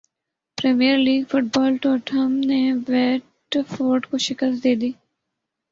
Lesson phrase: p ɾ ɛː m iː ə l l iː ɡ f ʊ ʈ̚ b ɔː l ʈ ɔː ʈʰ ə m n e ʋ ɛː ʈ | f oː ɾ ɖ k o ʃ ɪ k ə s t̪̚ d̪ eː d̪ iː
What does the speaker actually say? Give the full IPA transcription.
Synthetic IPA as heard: p ɾ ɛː m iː ə ɾ l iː ɡ f ʊ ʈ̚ b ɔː l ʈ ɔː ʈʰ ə m n e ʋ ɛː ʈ | f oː ɾ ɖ k o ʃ ɪ k ə s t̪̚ d̪ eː d̪ iː